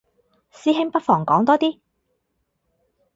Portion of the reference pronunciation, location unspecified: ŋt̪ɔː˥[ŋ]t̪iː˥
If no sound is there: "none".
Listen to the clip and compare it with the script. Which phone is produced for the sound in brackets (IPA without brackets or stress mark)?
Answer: none